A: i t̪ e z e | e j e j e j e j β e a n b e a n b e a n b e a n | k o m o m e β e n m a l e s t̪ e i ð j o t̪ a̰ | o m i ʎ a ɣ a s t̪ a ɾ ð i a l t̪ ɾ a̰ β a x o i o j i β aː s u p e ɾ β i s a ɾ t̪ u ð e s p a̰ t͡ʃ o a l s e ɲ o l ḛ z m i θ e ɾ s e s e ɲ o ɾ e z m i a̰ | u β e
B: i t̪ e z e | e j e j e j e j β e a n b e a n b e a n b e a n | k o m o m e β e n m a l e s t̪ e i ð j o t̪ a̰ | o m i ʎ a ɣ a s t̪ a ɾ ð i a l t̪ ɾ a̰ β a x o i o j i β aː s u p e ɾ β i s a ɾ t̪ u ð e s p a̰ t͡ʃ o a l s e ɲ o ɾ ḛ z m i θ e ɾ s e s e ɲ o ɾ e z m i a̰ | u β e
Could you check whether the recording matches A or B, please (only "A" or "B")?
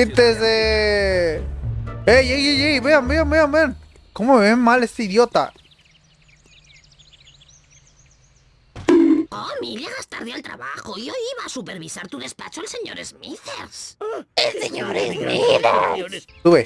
B